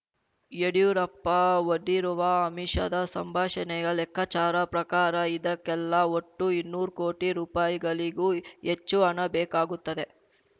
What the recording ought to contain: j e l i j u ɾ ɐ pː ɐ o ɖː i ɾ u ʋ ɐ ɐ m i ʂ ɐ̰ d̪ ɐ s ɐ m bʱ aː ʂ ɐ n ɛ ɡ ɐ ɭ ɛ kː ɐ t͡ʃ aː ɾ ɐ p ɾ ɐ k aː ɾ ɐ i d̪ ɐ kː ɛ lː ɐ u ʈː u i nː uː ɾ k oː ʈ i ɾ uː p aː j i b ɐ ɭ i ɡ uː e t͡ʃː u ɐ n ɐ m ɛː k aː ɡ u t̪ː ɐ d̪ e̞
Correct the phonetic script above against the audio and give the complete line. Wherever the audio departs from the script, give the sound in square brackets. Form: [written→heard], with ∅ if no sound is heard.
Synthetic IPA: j e [l→ɽ] i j u ɾ ɐ pː ɐ o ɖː i ɾ u ʋ ɐ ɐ m i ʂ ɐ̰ d̪ ɐ s ɐ m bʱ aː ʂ ɐ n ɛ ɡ ɐ ɭ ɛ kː ɐ t͡ʃ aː ɾ ɐ p ɾ ɐ k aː ɾ ɐ i d̪ ɐ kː ɛ lː ɐ [u→o] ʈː u i nː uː ɾ k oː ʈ i ɾ uː p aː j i [b→ɡ] ɐ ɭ i ɡ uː e t͡ʃː u ɐ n ɐ [m→b] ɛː k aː ɡ u t̪ː ɐ d̪ e̞

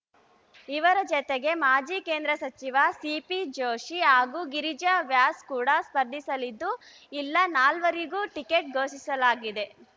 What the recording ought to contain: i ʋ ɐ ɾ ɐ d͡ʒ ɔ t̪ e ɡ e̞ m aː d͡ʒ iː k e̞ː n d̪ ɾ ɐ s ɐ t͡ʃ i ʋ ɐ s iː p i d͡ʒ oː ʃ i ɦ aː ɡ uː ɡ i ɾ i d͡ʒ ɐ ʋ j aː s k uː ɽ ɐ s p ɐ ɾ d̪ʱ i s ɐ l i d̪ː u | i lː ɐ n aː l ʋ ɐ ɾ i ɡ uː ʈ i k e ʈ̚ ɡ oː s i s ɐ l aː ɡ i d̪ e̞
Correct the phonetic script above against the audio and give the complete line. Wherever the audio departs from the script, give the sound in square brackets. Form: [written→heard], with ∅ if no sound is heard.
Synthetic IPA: i ʋ ɐ ɾ ɐ d͡ʒ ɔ t̪ e ɡ e̞ m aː d͡ʒ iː k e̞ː n d̪ ɾ ɐ s ɐ t͡ʃ i ʋ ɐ s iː p i d͡ʒ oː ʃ i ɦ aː ɡ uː ɡ i ɾ i d͡ʒ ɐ ʋ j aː s k uː ɽ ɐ s p ɐ ɾ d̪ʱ i s ɐ l i d̪ː u | i lː ɐ n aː l ʋ ɐ ɾ i ɡ uː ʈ i k e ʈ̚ ɡ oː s i s ɐ l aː ɡ i d̪ e̞

